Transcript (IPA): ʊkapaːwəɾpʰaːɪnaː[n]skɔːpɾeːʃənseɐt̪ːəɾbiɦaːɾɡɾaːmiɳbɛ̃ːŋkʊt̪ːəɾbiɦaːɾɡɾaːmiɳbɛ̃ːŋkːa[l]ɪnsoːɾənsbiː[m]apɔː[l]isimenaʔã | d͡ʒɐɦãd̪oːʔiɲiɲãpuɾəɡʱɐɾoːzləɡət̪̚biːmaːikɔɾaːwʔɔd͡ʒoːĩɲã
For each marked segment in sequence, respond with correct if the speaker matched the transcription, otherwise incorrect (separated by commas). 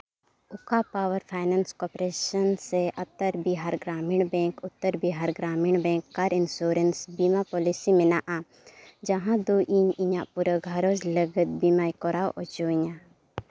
correct, incorrect, correct, correct